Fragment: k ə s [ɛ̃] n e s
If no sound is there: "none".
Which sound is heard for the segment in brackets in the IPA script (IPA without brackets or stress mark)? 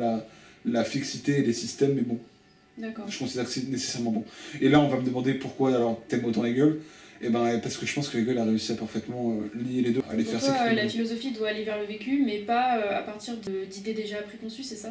ɛ